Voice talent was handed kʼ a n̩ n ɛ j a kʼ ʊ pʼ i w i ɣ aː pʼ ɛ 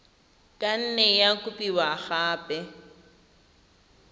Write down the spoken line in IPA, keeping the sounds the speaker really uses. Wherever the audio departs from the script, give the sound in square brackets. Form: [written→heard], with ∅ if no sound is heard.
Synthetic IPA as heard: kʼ a n̩ n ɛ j a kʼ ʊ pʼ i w [i→a] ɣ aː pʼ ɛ